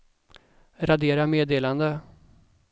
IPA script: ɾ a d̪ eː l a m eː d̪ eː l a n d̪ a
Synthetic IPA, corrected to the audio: ɾ a d̪ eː ɾ a m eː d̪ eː l a n d̪ ə